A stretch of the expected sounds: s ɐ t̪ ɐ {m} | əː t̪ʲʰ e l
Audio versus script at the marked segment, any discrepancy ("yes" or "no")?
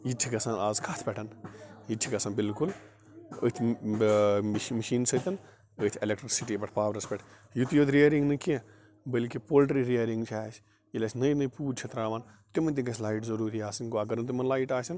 yes